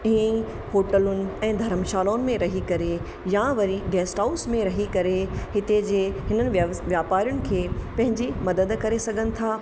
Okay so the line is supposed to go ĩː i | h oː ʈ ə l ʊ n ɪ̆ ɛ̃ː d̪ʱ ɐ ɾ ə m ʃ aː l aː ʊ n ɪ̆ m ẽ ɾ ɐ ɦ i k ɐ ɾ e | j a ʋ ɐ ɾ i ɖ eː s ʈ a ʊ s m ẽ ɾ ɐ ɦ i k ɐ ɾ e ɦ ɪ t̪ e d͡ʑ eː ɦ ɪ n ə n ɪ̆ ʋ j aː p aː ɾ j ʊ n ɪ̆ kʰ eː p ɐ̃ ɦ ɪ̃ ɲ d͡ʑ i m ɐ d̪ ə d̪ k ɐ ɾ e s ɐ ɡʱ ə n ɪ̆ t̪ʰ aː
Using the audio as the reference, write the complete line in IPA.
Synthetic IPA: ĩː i | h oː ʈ ə l ʊ n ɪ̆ ɛ̃ː d̪ʱ ɐ ɾ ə m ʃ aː l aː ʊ n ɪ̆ m ẽ ɾ ɐ ɦ i k ɐ ɾ e | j a ʋ ɐ ɾ i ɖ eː s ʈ a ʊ s m ẽ ɾ ɐ ɦ i k ɐ ɾ e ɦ ɪ t̪ e d͡ʑ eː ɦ ɪ n ə n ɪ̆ ʋ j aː p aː ɾ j ʊ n ɪ̆ kʰ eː p ɐ̃ ɦ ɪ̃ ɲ d͡ʑ i m ɐ d̪ ə d̪ k ɐ ɾ e s ɐ ɡʱ ə n ɪ̆ t̪ʰ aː

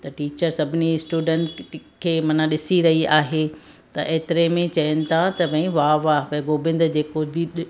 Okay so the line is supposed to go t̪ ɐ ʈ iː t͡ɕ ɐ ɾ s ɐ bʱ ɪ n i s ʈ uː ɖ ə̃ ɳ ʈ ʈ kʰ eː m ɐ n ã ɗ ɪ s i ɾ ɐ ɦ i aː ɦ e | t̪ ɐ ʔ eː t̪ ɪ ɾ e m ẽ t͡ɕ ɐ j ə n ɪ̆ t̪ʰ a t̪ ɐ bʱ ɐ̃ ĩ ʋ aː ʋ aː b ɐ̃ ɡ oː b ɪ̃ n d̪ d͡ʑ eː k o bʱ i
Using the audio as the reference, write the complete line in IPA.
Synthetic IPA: t̪ ɐ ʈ iː t͡ɕ ə ɾ s ɐ bʱ ɪ n i s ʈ uː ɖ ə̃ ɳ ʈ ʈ kʰ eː m ɐ n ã ɗ ɪ s i ɾ ɐ ɦ i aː ɦ e | t̪ ɐ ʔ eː t̪ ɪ ɾ e m ẽ t͡ɕ ɐ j ə n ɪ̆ t̪ʰ a t̪ ɐ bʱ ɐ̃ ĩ ʋ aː ʋ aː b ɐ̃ ɡ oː b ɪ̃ n d̪ d͡ʑ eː k o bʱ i

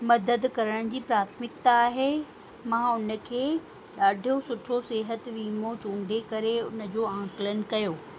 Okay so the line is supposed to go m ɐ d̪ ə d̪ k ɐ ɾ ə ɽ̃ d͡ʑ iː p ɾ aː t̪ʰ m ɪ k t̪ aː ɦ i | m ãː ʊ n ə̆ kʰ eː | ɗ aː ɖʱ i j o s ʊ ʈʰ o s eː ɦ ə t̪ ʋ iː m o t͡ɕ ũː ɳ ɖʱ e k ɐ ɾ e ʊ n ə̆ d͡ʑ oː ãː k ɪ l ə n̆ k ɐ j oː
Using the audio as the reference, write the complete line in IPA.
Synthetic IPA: m ɐ d̪ ə d̪ k ɐ ɾ ə ɽ̃ d͡ʑ iː p ɾ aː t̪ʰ m ɪ k t̪ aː ɦ e | m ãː ʊ n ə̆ kʰ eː | ɗ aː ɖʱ i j o s ʊ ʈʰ o s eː ɦ ə t̪ ʋ iː m o t͡ɕ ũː ɳ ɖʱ e k ɐ ɾ e ʊ n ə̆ d͡ʑ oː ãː k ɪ l ə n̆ k ɐ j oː

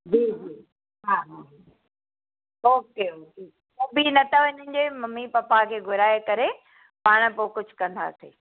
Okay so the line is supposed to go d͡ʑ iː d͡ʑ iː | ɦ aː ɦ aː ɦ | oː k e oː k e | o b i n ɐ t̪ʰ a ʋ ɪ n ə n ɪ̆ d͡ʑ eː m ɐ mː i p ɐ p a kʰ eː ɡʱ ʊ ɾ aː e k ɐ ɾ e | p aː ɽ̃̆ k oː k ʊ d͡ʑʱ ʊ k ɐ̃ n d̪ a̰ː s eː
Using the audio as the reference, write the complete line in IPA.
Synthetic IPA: d͡ʑ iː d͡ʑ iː | ɦ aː ɦ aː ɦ | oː k e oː k e | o b i n ɐ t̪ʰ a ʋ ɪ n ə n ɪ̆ d͡ʑ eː m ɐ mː i p ɐ p a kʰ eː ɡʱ ʊ ɾ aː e k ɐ ɾ e | p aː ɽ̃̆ p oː k ʊ d͡ʑʱ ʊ k ɐ̃ n d̪ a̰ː s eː

